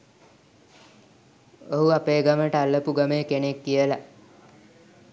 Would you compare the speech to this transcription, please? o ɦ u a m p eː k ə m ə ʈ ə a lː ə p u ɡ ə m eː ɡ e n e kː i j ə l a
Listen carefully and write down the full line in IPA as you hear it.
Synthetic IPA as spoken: o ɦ u a p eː ɡ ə m ə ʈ ə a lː ə p u ɡ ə m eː k e n e kː i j ə l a